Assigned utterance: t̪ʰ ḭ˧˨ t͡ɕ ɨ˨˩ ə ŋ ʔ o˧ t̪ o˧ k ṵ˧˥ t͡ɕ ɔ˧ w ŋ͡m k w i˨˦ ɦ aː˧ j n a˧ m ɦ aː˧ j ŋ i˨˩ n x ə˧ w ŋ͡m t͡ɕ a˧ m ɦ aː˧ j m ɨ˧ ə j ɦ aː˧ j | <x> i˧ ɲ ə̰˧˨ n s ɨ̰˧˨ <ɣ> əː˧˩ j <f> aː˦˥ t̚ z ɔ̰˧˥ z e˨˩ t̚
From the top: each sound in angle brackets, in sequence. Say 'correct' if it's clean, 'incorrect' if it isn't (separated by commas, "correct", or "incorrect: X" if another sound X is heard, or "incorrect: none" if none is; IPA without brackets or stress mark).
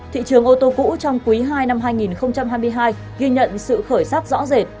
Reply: incorrect: ɣ, incorrect: x, incorrect: s